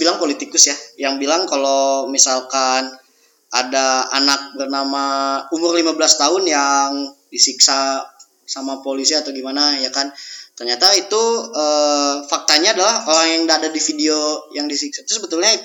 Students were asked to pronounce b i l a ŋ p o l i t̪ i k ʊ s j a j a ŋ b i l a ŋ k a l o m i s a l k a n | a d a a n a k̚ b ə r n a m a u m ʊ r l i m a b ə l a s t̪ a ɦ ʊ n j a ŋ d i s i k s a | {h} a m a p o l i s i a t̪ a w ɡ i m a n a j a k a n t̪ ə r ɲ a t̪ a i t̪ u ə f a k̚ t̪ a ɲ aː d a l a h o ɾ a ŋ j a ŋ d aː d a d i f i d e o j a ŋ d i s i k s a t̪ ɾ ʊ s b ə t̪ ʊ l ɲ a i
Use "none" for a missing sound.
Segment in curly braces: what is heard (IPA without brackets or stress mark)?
s